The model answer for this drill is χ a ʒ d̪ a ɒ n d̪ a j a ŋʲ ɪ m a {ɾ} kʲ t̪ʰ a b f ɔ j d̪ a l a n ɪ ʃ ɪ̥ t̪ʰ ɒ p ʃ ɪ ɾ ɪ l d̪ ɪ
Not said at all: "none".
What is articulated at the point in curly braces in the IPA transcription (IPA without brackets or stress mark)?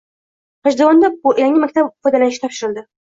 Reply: none